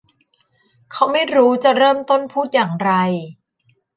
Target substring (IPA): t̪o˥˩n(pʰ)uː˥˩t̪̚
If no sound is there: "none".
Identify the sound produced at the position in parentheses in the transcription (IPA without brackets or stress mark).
pʰ